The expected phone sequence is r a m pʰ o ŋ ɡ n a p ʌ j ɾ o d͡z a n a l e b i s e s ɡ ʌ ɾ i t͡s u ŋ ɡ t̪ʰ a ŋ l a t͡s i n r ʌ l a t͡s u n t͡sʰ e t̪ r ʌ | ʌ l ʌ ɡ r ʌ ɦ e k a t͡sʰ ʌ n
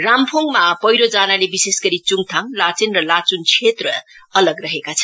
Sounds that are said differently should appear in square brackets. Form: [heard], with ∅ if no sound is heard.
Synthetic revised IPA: r a m pʰ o ŋ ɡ [m] a p ʌ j ɾ o d͡z a n a l e b i s e s ɡ ʌ ɾ i t͡s u ŋ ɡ t̪ʰ a ŋ l a t͡s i n r ʌ l a t͡s u n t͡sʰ e t̪ r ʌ | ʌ l ʌ ɡ r ʌ ɦ e k a t͡sʰ ʌ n